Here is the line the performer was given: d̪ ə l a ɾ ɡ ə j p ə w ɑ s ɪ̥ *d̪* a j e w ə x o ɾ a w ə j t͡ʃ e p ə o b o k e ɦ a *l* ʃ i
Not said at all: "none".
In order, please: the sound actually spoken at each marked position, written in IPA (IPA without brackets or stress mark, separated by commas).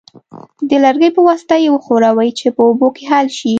t̪, l